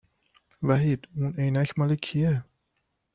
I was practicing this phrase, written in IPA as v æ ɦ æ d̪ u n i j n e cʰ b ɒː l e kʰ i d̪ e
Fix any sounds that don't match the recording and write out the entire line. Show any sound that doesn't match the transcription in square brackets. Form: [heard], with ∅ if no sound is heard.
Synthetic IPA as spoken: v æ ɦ [i] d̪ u n [e] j n [æ] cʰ [m] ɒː l e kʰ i [∅] e